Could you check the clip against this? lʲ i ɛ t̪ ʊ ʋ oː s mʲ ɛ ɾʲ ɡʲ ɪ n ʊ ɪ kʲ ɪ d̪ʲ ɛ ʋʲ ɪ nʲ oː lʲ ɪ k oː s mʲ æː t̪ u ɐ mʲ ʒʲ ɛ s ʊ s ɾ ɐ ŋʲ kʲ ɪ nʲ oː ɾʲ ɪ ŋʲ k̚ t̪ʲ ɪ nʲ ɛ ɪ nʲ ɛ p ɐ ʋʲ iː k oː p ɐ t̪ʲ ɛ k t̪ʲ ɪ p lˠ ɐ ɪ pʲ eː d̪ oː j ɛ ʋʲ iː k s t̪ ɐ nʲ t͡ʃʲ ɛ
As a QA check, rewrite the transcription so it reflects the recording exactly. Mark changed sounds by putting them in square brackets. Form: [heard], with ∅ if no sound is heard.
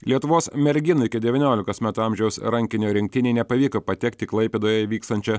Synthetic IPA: lʲ i ɛ t̪ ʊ ʋ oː s mʲ ɛ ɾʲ ɡʲ ɪ n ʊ ɪ kʲ ɪ d̪ʲ ɛ ʋʲ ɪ nʲ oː lʲ ɪ k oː s mʲ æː t̪ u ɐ mʲ ʒʲ ɛ [∅] ʊ s ɾ ɐ ŋʲ kʲ ɪ nʲ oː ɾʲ ɪ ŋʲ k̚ t̪ʲ ɪ nʲ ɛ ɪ nʲ ɛ p ɐ ʋʲ iː k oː p ɐ t̪ʲ ɛ k t̪ʲ ɪ [k] lˠ ɐ ɪ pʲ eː d̪ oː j ɛ ʋʲ iː k s t̪ ɐ nʲ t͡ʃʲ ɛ